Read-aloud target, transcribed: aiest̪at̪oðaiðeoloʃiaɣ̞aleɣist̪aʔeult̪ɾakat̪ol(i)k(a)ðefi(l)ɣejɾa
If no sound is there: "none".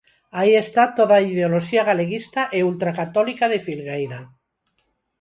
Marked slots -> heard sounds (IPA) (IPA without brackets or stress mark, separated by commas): i, a, l